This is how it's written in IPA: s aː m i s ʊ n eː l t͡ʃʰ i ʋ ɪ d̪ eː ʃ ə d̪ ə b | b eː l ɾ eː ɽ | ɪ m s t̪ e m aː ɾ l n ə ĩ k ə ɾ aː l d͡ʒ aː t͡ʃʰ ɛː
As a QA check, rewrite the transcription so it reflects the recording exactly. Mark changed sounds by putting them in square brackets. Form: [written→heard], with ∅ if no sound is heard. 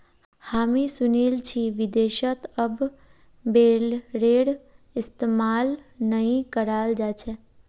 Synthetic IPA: [s→h] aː m i s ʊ n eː l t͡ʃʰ i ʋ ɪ d̪ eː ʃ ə [d̪→t̪] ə b | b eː l ɾ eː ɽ | ɪ [m→∅] s t̪ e m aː [ɾ→∅] l n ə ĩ k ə ɾ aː l d͡ʒ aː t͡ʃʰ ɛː